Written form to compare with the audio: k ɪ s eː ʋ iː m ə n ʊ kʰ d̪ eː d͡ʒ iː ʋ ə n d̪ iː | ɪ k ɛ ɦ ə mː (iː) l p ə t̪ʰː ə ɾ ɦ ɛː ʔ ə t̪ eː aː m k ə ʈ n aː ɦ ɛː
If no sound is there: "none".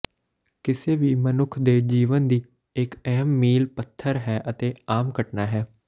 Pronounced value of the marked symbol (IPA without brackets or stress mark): iː